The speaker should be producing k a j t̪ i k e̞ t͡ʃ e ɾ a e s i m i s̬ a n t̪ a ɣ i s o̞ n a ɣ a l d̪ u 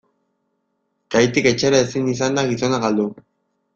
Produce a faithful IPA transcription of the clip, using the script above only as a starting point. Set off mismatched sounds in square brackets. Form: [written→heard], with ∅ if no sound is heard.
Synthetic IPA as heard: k a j t̪ i k e̞ t͡ʃ e ɾ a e s i [m→n] i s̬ a n [t̪→d̪] a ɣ i s o̞ n a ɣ a l d̪ u